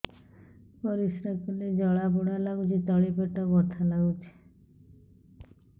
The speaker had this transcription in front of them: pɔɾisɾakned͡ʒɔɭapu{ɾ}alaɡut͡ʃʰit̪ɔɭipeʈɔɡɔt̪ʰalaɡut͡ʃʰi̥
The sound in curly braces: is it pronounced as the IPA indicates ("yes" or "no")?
no